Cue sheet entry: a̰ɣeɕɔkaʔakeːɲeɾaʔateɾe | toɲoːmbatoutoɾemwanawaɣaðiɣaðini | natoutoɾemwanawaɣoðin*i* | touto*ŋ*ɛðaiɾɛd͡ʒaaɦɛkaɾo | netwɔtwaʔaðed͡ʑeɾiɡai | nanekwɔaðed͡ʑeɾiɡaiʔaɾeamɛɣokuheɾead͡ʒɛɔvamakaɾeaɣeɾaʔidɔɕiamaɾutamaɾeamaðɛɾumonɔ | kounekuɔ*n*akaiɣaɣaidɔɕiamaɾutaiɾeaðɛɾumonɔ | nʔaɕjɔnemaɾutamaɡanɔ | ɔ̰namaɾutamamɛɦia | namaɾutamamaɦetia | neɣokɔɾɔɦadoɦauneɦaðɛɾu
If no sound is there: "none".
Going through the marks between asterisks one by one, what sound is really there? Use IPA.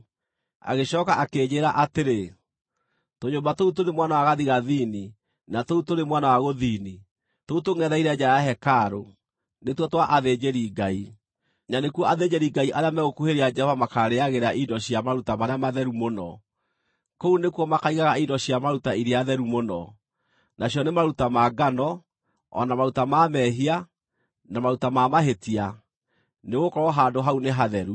i, ŋ, m

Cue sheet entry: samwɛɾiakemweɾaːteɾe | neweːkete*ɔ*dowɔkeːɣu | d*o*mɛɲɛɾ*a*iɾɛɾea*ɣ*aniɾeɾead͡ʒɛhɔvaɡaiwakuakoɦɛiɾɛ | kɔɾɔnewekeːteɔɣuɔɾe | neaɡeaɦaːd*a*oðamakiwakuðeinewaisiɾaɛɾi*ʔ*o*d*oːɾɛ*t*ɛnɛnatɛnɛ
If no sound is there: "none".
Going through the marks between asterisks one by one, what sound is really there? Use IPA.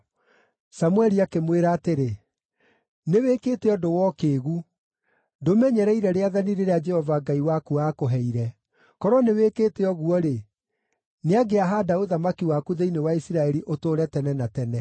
ɔ, o, ɛ, ð, a, ʔ, t, t

